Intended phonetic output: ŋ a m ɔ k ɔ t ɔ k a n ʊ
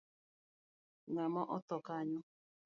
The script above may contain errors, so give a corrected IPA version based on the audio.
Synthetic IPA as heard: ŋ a m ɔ ʔ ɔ t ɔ k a ɲ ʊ